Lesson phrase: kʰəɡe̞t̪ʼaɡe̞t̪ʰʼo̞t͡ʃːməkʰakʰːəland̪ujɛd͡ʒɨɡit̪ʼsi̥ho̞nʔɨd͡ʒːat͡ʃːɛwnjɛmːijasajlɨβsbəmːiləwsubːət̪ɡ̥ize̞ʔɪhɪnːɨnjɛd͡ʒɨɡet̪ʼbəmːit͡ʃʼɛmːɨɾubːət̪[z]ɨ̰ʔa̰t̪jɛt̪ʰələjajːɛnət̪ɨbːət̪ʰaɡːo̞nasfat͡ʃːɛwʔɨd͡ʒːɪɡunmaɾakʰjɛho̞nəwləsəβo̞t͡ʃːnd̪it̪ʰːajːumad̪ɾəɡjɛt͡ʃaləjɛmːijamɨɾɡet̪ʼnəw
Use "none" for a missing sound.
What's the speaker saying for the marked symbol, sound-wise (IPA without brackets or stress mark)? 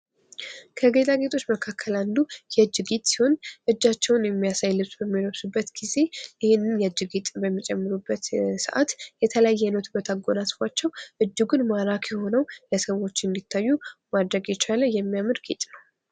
s